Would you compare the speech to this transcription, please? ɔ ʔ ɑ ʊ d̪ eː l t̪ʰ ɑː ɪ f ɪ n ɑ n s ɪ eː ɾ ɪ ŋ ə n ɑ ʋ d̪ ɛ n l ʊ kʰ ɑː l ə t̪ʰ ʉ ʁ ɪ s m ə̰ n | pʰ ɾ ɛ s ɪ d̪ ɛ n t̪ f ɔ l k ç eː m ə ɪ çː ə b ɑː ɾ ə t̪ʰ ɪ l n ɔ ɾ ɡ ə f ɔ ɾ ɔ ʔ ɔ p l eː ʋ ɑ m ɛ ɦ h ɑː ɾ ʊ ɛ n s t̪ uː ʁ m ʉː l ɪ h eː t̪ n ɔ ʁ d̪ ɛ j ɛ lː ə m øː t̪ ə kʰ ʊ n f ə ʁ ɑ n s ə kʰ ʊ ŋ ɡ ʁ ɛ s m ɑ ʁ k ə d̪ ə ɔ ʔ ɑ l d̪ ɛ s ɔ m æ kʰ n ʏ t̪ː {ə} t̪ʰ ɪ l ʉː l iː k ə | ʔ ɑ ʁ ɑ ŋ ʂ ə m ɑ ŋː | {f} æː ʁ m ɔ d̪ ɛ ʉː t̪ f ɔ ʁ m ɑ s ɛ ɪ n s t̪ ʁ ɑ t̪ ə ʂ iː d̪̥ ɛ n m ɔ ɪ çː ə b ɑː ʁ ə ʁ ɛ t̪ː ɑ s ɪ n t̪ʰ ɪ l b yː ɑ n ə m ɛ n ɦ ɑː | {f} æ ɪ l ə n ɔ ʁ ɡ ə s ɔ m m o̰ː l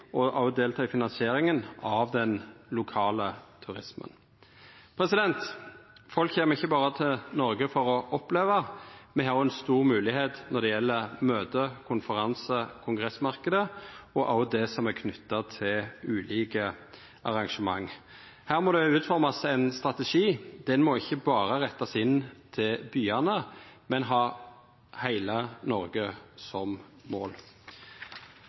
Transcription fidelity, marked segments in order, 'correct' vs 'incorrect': incorrect: ɑ, incorrect: h, incorrect: h

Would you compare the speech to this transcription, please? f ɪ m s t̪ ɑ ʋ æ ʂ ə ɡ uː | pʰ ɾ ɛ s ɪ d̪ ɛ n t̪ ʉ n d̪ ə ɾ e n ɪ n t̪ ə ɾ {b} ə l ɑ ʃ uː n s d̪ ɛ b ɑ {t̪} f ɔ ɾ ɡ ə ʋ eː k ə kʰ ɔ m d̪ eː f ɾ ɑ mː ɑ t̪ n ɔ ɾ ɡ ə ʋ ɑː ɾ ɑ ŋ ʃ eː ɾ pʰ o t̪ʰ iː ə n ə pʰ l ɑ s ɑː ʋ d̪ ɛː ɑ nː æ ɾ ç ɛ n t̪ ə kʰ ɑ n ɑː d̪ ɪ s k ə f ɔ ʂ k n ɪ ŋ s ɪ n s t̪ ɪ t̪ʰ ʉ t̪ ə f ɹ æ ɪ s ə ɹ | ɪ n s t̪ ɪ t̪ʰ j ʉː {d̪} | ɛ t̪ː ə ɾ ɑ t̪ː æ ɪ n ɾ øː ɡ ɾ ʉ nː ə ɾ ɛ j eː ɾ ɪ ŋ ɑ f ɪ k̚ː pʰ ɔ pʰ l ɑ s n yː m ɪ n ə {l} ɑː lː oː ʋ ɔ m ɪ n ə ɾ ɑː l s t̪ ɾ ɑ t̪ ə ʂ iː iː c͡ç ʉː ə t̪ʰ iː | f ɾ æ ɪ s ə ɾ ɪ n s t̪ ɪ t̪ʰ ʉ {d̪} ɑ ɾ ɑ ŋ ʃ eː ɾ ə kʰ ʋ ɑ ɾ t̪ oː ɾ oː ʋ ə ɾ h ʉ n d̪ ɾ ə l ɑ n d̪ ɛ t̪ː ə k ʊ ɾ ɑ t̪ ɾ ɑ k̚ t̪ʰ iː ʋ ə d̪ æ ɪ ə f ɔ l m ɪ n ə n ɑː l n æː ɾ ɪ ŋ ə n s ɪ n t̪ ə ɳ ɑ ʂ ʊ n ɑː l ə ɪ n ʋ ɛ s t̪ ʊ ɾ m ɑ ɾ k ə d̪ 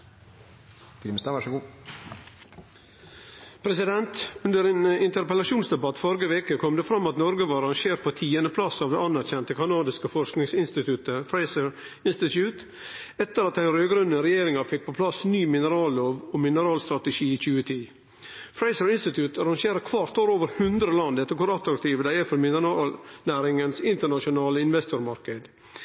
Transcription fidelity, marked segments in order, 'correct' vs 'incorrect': incorrect: p, correct, incorrect: t̪, incorrect: ɾ, incorrect: t̪

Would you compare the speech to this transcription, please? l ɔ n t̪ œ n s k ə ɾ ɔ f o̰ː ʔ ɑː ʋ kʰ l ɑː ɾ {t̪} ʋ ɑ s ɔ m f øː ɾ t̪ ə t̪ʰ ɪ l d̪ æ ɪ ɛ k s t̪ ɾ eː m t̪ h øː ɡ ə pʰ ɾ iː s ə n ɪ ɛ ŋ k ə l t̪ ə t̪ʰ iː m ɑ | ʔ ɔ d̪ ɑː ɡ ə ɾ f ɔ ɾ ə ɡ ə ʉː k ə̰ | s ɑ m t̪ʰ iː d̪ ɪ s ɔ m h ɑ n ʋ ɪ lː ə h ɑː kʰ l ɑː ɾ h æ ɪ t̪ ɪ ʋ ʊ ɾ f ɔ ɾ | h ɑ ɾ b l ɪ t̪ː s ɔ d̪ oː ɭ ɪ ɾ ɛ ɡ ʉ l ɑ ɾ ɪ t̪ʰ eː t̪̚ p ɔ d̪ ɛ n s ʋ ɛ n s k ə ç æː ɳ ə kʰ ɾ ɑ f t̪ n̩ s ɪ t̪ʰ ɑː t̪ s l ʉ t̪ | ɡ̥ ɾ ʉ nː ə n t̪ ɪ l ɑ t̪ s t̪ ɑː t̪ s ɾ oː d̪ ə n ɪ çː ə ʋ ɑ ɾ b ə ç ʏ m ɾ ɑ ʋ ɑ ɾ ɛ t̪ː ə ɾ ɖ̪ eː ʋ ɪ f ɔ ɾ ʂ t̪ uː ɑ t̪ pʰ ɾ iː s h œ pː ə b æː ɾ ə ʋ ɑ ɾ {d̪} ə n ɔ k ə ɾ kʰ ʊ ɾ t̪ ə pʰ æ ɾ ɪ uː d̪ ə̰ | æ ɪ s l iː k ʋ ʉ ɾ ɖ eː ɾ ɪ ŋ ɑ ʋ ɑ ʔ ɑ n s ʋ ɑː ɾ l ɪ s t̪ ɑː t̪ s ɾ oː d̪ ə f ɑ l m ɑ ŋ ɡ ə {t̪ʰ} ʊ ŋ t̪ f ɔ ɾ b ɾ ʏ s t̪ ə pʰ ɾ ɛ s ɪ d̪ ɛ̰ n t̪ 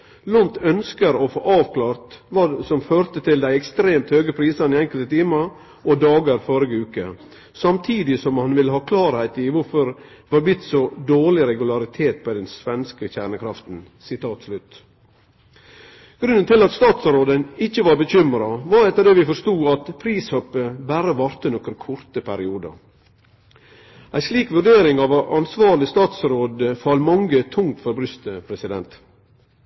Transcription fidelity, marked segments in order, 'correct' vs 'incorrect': correct, incorrect: t̪, correct

